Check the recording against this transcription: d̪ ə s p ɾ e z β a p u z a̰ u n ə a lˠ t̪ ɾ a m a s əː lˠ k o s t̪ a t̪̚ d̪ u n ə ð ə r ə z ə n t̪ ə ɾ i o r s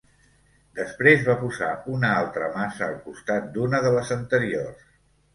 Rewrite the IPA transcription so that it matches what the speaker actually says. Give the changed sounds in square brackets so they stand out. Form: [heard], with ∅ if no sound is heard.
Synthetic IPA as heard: d̪ ə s p ɾ e z β a p u z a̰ u n ə a lˠ t̪ ɾ [ə] m a s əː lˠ k [u] s t̪ a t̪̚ d̪ u n ə ð ə [l] ə z ə n t̪ ə ɾ i o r s

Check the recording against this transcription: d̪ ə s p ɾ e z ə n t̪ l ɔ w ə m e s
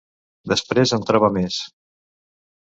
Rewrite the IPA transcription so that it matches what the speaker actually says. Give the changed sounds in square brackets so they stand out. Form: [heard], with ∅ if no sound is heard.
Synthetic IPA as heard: d̪ ə s p ɾ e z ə n t̪ [ɾ] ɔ [β] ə m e s

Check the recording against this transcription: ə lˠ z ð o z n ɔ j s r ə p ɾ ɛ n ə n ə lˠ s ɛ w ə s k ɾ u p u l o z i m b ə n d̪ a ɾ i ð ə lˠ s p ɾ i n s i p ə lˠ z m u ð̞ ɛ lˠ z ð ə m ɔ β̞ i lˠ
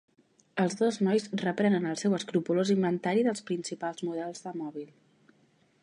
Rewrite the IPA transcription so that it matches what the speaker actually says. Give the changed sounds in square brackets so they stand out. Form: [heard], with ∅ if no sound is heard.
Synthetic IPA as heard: ə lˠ z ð o z n ɔ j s r ə p ɾ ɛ n ə n ə lˠ s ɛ w ə s k ɾ u p u l o z i m b ə n [t̪] a ɾ i ð ə lˠ s p ɾ i n s i p [a] lˠ z m u ð̞ ɛ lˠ z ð ə m ɔ β̞ i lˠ

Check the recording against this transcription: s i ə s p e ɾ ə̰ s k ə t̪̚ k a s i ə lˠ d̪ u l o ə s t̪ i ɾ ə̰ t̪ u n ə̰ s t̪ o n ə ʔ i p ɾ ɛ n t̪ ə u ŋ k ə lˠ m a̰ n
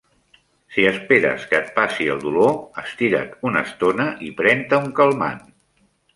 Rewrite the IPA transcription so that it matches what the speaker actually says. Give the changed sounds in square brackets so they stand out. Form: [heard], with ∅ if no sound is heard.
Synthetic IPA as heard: s i ə s p e ɾ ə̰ s k ə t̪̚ [p] a s i ə lˠ d̪ u l o ə s t̪ i ɾ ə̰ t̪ u n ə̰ s t̪ o n ə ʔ i p ɾ ɛ n t̪ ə u ŋ k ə lˠ m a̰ n

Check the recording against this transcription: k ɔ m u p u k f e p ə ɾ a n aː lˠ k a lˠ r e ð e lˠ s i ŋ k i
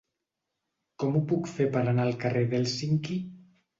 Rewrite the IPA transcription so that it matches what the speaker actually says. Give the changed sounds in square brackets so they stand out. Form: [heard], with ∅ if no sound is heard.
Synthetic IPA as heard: k ɔ m u p u k f e p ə ɾ a n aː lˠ k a [∅] r e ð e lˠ s i ŋ k i

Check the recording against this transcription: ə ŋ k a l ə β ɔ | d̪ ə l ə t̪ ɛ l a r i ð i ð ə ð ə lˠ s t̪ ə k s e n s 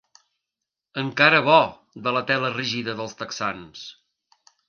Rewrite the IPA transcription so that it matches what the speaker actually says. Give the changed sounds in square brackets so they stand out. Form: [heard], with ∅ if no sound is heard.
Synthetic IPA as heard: ə ŋ k a [ɾ] ə β ɔ | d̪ ə l ə t̪ ɛ l [ə] r i [ʒ] i ð ə ð ə lˠ s t̪ ə k s [a] n s

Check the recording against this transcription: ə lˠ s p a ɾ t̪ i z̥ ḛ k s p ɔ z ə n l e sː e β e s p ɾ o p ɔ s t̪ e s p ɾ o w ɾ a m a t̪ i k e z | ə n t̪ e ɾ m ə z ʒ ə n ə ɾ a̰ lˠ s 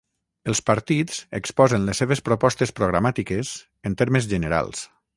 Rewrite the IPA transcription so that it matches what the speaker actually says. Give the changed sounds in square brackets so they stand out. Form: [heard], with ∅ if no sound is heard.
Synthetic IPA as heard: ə lˠ s p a ɾ t̪ i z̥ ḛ k s p ɔ z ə n l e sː e β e s p ɾ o p ɔ s t̪ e s p ɾ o [ɣ] ɾ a m a t̪ i k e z | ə n t̪ e ɾ m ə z ʒ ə n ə ɾ a̰ lˠ s

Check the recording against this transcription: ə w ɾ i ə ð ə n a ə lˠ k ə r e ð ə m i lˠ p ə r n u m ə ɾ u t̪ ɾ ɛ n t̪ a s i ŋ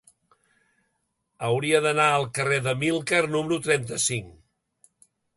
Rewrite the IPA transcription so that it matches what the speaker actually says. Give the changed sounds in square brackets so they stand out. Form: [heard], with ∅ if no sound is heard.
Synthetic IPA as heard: ə w ɾ i ə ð ə n a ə lˠ k ə r e ð ə m i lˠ [k] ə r n u m ə ɾ u t̪ ɾ ɛ n t̪ [ə] s i ŋ

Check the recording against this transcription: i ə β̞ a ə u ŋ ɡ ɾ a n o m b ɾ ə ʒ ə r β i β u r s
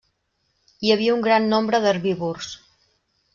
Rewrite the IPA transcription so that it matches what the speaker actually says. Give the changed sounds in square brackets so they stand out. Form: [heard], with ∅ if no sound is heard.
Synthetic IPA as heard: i ə β̞ [i] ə u ŋ ɡ ɾ a [nː] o m b ɾ ə [ð] ə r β i β u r s

